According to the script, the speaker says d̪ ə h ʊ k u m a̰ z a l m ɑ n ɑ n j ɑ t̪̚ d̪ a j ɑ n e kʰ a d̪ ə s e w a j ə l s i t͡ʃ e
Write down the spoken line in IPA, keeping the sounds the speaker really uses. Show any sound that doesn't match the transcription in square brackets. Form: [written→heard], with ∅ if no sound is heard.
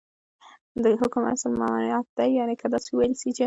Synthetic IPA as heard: d̪ ə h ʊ k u m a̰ [z→s] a l m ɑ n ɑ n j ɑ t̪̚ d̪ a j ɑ n e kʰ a d̪ [ə→ɑ] s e w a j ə l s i t͡ʃ e